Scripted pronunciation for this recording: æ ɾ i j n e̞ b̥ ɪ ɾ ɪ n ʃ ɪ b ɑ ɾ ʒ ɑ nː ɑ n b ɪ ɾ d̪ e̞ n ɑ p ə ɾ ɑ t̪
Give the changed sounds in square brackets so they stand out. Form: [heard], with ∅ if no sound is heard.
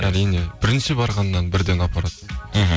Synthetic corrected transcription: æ ɾ i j n e̞ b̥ ɪ ɾ ɪ n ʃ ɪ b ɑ ɾ [ʁ] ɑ nː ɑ n b ɪ ɾ d̪ e̞ n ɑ p [ɑ] ɾ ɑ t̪